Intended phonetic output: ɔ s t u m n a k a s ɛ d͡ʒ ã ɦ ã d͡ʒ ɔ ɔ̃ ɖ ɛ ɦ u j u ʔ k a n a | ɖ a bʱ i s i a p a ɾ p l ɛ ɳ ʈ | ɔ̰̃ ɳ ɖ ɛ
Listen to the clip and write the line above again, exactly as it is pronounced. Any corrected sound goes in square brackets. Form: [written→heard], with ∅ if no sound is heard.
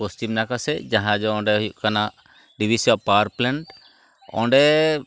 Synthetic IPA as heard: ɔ s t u m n a k a s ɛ d͡ʒ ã ɦ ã d͡ʒ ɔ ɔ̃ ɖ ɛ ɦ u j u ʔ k a n a | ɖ [a→i] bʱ i s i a p a ɾ p l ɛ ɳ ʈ | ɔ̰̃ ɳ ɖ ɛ